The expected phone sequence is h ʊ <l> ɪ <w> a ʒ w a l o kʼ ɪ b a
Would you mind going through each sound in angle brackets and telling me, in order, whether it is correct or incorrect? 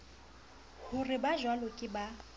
incorrect: r, incorrect: b

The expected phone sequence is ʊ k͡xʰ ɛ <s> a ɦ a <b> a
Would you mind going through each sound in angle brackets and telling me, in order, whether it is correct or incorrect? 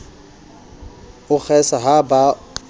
correct, correct

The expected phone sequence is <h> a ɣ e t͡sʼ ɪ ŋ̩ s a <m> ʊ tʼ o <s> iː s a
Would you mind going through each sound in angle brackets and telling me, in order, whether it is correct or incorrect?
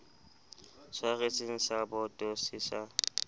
incorrect: s, incorrect: b, correct

